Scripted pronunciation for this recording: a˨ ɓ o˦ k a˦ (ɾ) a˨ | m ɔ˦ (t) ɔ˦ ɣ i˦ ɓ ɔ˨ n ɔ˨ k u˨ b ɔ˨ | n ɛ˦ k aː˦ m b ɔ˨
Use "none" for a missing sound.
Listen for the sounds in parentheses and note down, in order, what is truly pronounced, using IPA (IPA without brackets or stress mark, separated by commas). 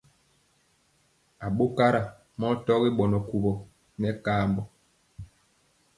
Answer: ɾ, t